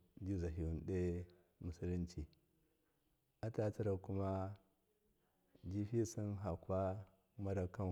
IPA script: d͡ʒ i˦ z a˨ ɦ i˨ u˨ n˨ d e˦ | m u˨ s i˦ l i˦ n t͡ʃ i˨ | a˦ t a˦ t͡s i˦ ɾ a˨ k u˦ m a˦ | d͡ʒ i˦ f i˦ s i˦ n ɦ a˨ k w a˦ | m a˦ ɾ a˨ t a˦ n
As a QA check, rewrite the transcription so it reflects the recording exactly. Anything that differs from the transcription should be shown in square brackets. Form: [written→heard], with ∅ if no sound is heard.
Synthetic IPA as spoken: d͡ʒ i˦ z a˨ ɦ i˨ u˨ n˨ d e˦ | m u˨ s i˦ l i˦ n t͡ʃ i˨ | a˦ t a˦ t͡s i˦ ɾ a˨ k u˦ m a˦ | d͡ʒ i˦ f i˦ s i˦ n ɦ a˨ k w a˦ | m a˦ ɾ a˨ [t→k] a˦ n